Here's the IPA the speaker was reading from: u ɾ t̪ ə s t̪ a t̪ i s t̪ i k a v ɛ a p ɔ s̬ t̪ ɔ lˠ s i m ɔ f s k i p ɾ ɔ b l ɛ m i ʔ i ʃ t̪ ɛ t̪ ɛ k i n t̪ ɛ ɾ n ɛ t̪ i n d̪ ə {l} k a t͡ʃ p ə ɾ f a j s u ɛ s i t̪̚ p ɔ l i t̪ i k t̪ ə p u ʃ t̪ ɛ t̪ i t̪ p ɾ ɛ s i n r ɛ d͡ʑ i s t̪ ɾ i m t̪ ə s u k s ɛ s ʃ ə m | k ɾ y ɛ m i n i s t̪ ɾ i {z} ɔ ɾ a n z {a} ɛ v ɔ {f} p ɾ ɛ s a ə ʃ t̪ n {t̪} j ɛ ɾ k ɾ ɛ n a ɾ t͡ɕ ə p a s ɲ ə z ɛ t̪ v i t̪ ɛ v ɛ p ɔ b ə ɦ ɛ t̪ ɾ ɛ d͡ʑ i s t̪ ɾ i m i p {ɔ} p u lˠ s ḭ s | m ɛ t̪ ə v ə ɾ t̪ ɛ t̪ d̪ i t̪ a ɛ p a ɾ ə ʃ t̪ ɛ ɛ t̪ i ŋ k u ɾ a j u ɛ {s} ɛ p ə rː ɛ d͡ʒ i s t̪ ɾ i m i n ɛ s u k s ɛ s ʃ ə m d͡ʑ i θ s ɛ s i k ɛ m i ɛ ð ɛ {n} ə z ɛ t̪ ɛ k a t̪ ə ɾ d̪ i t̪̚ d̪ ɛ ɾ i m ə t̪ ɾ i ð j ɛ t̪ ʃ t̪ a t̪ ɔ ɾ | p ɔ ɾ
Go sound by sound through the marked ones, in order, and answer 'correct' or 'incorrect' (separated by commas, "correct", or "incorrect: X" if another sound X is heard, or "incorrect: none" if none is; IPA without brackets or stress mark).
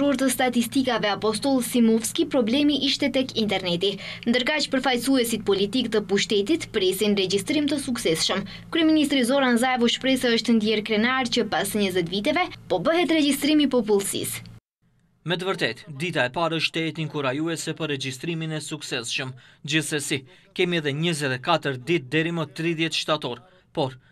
incorrect: ɾ, correct, correct, incorrect: ʃ, incorrect: d̪, correct, correct, incorrect: ɲ